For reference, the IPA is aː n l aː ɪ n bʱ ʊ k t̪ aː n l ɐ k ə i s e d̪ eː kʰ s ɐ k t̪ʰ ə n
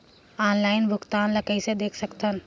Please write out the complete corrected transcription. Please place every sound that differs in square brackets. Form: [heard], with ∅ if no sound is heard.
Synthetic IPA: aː n l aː ɪ n bʱ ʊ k t̪ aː n l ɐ k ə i s e d̪ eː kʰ s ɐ k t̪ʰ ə n